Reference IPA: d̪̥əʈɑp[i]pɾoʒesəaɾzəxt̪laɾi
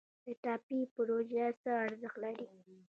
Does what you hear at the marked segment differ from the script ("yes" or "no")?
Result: no